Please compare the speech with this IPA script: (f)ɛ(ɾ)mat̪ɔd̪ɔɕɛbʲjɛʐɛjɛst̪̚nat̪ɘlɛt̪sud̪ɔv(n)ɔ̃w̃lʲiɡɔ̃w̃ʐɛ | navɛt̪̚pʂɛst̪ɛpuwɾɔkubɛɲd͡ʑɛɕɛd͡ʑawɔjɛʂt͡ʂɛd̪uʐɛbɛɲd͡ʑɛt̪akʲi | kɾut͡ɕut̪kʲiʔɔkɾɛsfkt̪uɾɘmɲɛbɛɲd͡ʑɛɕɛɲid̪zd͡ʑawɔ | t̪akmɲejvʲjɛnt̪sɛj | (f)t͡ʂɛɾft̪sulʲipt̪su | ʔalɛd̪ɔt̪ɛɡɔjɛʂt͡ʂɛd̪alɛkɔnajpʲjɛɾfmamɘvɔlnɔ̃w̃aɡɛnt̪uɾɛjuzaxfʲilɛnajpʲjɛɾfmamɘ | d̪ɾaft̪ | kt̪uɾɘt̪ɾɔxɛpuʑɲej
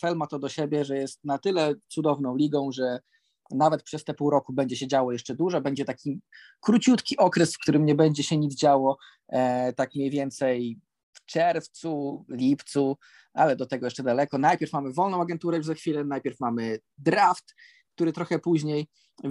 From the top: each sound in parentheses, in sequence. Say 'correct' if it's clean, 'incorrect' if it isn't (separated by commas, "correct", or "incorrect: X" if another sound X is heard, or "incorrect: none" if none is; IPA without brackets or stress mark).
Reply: correct, incorrect: l, correct, correct